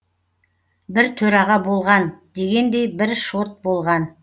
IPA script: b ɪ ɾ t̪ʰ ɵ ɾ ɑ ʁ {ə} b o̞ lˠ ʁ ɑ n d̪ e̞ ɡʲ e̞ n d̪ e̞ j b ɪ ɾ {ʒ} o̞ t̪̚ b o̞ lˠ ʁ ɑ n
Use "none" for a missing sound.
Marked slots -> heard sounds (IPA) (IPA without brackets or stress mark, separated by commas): ɑ, ʃ